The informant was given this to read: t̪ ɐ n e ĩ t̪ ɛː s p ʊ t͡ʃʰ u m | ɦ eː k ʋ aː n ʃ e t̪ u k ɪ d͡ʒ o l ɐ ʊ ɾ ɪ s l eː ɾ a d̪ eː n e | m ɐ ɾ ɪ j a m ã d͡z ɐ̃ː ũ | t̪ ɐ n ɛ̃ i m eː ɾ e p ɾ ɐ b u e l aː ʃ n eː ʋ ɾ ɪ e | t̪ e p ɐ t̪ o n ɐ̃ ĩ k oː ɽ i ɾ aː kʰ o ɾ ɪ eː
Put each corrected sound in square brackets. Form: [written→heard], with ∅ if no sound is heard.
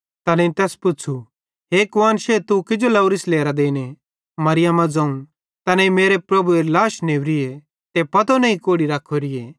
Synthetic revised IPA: t̪ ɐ n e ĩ t̪ ɛː s p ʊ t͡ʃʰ u [m→∅] | ɦ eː k ʋ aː n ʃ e t̪ u k ɪ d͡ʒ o l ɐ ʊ ɾ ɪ s l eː ɾ a d̪ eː n e | m ɐ ɾ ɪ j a m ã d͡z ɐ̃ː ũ | t̪ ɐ n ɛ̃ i m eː ɾ e p ɾ ɐ b u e l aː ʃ n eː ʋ ɾ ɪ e | t̪ e p ɐ t̪ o n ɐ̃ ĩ k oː ɽ i ɾ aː kʰ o ɾ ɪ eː